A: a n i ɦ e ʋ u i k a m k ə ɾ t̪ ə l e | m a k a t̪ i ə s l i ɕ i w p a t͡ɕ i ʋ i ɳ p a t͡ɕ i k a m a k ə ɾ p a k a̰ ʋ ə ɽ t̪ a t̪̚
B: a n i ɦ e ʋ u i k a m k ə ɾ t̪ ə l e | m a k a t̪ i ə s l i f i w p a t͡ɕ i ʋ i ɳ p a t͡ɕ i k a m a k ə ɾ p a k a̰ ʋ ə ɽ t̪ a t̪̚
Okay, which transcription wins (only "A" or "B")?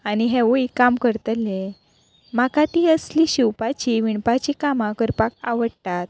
A